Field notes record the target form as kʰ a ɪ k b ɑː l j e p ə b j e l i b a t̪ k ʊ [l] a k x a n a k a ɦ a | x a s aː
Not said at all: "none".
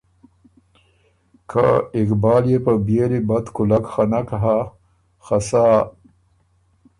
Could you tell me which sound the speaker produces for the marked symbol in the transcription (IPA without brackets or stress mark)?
l